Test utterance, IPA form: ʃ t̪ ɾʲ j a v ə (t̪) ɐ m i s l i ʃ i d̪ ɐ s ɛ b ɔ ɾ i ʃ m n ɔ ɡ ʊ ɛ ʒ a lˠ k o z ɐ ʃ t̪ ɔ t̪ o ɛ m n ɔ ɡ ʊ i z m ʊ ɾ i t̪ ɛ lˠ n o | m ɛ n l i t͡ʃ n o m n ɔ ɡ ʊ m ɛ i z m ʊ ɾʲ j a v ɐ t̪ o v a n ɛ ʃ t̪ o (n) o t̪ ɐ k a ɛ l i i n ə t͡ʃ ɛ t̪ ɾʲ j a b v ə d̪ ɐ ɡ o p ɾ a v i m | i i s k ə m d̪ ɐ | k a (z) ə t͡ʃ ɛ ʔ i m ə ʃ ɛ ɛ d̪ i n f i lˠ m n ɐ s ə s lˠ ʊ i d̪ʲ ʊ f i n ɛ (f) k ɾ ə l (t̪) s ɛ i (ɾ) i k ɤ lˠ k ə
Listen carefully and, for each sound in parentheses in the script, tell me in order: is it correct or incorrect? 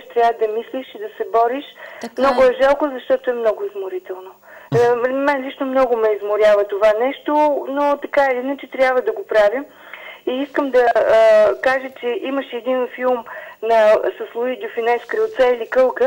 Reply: incorrect, correct, incorrect, incorrect, correct, incorrect

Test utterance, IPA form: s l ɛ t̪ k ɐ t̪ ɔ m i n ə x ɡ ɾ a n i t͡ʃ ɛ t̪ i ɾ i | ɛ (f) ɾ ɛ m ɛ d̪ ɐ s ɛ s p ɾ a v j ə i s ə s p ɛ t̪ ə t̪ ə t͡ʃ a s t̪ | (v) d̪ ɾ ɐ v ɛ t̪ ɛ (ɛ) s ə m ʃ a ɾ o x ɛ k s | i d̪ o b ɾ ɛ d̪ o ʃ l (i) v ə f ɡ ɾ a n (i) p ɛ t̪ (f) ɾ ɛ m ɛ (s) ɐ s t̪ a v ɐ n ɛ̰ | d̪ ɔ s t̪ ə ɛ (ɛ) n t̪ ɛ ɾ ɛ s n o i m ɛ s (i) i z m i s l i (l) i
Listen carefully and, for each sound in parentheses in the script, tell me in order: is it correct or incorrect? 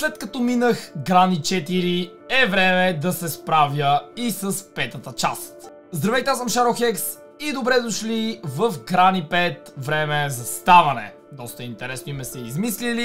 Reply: incorrect, incorrect, incorrect, correct, correct, incorrect, incorrect, incorrect, incorrect, correct

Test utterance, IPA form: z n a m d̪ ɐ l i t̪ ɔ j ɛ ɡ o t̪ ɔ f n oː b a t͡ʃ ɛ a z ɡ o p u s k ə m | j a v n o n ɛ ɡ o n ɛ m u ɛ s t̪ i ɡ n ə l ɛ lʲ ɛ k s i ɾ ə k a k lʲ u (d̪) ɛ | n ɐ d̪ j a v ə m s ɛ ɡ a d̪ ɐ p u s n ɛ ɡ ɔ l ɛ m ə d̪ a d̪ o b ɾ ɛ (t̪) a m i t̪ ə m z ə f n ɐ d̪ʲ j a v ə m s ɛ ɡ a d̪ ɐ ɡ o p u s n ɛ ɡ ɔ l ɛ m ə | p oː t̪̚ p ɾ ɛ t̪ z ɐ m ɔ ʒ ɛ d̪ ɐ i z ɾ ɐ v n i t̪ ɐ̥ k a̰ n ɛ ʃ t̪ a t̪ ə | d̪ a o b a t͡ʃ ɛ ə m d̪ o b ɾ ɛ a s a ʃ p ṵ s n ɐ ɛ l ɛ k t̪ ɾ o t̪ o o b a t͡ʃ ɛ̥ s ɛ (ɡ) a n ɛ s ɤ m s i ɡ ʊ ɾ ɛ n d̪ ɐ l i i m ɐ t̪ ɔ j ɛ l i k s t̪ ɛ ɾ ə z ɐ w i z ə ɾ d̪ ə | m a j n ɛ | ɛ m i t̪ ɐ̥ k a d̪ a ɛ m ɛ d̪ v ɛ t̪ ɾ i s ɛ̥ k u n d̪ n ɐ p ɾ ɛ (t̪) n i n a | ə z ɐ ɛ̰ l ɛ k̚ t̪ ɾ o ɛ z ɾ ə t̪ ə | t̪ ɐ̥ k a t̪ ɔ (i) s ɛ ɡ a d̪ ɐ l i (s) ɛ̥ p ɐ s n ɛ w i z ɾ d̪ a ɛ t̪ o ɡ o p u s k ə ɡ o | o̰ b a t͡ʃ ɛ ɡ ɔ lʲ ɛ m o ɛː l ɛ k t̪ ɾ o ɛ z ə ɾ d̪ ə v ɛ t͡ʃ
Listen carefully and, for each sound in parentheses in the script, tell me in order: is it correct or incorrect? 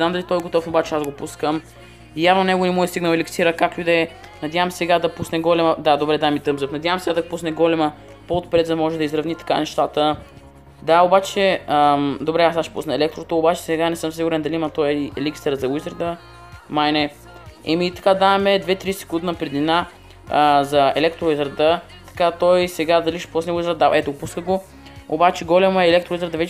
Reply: correct, incorrect, correct, incorrect, incorrect, incorrect

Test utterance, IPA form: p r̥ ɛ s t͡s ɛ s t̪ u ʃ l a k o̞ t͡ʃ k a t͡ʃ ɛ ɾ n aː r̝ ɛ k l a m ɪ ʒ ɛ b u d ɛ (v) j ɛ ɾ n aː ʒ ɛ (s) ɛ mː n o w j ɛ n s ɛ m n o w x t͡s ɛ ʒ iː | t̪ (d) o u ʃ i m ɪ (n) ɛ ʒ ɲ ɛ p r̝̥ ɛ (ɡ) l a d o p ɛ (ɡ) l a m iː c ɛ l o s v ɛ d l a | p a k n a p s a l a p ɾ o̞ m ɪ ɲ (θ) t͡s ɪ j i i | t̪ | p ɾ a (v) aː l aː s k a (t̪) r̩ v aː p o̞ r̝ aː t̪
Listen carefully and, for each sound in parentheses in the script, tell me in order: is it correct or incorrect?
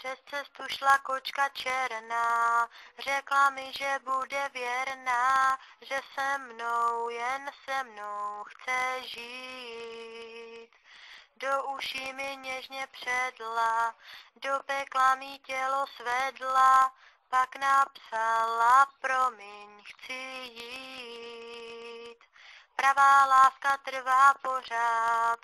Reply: correct, correct, correct, incorrect, incorrect, incorrect, incorrect, correct, correct

